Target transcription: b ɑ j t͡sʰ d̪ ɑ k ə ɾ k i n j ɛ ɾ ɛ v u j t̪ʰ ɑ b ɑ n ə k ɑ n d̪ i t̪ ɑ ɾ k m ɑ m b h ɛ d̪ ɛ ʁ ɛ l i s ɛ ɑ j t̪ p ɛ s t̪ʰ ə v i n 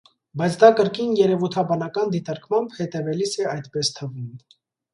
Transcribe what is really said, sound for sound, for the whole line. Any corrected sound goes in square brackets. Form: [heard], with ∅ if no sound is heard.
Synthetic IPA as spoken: b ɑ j t͡sʰ d̪ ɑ k ə ɾ k i n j ɛ ɾ ɛ v u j t̪ʰ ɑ b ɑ n [ɑ] k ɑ n d̪ i t̪ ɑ ɾ k m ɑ m b h ɛ [t̪] ɛ [v] ɛ l i s ɛ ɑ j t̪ p ɛ s t̪ʰ ə v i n